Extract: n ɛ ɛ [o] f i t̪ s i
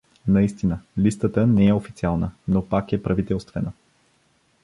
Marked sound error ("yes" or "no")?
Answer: no